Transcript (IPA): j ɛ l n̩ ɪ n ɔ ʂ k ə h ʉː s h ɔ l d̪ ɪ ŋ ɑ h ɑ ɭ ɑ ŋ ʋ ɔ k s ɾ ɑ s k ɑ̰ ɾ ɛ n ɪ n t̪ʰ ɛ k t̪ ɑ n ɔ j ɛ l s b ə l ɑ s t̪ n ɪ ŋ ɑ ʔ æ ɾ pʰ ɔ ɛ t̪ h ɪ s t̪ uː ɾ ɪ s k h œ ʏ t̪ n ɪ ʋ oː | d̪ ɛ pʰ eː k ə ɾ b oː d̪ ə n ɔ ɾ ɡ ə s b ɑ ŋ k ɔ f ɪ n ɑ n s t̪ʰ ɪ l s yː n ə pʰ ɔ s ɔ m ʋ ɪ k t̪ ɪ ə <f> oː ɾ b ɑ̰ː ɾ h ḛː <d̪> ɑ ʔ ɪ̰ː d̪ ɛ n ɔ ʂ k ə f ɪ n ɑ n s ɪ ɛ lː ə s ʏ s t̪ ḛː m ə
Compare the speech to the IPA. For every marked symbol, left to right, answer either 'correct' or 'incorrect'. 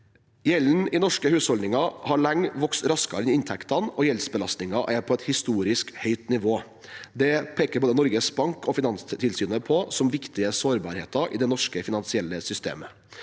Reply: incorrect: s, incorrect: t̪

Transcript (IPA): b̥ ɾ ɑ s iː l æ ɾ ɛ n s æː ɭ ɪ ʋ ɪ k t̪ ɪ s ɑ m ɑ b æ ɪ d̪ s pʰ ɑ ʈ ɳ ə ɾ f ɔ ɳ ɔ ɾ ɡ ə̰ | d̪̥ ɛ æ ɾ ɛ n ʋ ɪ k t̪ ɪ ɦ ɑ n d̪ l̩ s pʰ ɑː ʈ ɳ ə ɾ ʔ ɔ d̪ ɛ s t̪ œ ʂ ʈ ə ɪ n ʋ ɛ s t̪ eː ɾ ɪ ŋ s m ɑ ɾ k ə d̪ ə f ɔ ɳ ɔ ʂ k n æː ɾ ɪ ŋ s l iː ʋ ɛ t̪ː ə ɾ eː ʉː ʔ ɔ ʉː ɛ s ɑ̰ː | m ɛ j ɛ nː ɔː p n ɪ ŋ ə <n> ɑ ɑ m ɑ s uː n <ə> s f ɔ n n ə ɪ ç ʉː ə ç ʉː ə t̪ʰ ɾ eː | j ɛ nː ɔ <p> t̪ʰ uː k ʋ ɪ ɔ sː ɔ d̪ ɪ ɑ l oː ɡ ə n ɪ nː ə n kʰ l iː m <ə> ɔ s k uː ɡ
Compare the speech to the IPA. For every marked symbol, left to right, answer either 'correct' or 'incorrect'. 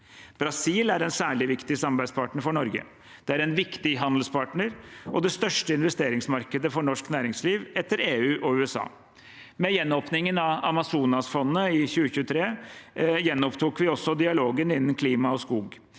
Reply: correct, incorrect: ɑ, correct, incorrect: ɑ

